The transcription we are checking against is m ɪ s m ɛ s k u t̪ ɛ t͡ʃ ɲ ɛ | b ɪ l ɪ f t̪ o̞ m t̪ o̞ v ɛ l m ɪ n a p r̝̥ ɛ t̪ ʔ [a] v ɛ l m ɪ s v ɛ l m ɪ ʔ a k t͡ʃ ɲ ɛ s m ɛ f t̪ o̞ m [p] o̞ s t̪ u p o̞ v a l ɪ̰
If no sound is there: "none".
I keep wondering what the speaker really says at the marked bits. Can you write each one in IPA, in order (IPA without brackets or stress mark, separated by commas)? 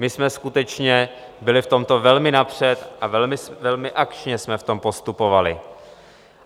a, p